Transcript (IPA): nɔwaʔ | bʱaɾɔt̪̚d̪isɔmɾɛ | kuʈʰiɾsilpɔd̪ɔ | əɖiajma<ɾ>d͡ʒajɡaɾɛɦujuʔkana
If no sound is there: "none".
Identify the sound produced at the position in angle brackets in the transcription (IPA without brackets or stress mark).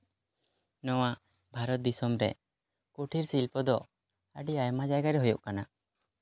none